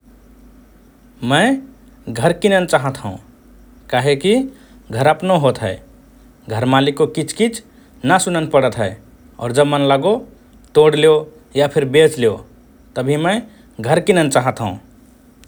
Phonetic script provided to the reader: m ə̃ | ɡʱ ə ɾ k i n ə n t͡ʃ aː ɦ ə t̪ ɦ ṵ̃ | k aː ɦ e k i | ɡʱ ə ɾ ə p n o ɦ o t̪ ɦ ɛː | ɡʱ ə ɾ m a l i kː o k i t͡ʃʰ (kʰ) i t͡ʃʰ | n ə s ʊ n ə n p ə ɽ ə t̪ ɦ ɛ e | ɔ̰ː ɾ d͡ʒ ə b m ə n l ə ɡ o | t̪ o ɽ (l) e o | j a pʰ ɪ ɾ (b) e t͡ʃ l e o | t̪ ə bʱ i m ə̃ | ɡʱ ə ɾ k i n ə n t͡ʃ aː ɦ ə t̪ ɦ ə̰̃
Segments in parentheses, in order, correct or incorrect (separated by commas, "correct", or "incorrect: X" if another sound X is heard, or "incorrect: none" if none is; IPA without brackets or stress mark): incorrect: k, correct, correct